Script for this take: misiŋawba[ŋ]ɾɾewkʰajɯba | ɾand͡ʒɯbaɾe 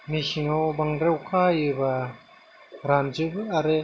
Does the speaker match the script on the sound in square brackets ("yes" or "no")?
yes